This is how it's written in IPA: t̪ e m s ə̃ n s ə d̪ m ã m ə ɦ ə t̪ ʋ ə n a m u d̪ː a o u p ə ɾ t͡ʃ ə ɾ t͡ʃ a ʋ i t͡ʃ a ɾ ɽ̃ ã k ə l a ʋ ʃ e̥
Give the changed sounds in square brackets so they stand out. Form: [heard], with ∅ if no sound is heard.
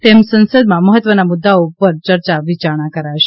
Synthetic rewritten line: t̪ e m s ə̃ n s ə d̪ m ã m ə ɦ ə t̪ ʋ ə n a m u d̪ː a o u p ə ɾ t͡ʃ ə ɾ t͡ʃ a ʋ i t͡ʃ a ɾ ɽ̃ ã k ə [ɾ] a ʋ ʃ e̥